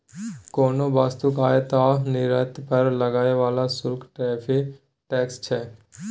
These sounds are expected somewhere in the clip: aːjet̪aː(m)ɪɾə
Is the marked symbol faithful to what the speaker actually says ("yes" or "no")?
no